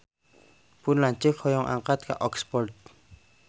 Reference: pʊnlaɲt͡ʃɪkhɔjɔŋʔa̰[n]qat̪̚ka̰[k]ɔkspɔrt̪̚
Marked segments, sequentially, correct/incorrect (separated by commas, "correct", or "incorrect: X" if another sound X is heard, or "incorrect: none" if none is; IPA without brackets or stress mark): incorrect: ŋ, incorrect: ʔ